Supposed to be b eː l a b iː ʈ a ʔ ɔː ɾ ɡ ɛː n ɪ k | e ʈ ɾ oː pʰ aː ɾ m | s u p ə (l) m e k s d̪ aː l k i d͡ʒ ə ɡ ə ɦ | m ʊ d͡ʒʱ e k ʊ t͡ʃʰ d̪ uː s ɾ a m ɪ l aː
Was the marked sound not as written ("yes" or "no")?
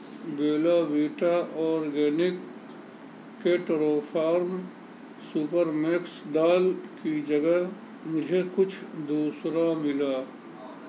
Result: yes